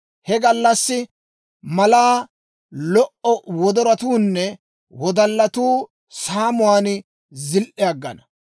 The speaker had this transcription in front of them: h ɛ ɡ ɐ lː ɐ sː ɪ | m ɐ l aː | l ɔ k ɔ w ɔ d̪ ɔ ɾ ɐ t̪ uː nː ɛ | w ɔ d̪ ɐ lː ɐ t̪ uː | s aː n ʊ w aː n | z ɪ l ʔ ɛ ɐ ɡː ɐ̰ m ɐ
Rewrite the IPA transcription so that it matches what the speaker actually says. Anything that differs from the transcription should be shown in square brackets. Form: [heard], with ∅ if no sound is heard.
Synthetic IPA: h ɛ ɡ ɐ lː ɐ sː ɪ | m ɐ l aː | l ɔ [ʔ] ɔ w ɔ d̪ ɔ ɾ ɐ t̪ uː nː ɛ | w ɔ d̪ ɐ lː ɐ t̪ uː | s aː [m] ʊ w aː n | z ɪ l ʔ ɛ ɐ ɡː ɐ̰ [n] ɐ